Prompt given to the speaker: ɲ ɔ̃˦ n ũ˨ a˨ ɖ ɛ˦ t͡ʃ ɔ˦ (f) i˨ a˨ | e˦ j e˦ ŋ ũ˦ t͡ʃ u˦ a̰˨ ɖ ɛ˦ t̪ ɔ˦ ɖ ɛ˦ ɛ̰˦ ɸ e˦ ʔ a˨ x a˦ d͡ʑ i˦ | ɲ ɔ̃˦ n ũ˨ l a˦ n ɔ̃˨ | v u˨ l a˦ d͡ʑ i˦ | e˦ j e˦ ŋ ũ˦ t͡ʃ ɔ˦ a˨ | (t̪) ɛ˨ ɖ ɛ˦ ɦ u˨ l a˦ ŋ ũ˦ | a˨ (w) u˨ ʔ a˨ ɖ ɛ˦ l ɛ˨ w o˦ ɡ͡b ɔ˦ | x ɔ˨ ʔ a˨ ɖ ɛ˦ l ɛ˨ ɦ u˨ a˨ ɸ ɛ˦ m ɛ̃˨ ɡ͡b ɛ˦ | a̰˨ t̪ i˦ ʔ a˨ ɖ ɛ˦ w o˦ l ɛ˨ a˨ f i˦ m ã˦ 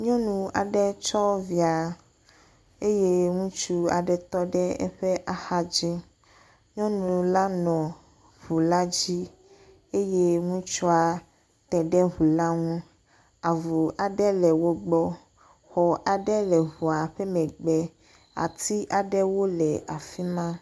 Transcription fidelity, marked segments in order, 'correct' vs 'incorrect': incorrect: v, correct, incorrect: v

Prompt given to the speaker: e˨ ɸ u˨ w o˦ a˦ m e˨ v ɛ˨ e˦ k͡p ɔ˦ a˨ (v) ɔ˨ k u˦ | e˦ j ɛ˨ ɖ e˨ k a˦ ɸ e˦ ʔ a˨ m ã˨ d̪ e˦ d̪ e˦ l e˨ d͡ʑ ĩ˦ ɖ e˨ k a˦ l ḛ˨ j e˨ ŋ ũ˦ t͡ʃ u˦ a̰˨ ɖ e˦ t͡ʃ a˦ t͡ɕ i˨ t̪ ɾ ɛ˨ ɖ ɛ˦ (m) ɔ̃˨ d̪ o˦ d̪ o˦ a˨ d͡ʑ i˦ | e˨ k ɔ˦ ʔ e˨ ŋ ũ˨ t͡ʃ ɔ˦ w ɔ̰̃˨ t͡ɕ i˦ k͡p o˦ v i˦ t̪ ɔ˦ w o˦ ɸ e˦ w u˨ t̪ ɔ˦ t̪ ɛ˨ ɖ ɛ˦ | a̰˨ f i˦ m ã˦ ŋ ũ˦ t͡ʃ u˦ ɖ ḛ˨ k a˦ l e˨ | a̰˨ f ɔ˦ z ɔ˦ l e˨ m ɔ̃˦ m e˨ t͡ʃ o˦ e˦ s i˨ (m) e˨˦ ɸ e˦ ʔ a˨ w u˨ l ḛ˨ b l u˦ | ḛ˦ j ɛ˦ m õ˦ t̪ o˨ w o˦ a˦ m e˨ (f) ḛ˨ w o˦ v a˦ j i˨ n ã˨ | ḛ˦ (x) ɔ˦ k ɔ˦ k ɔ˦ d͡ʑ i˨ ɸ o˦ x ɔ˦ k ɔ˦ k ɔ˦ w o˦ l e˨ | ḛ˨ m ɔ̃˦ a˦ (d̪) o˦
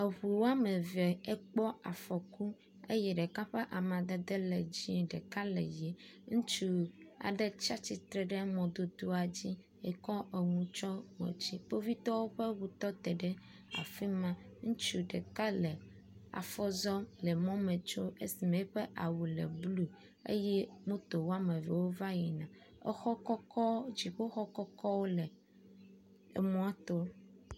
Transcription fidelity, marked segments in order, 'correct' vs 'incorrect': incorrect: f, correct, correct, incorrect: v, correct, incorrect: t̪

